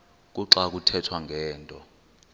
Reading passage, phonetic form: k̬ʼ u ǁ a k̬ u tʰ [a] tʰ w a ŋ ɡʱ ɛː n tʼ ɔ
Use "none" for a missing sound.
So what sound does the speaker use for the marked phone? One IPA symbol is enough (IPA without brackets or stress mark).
ɛ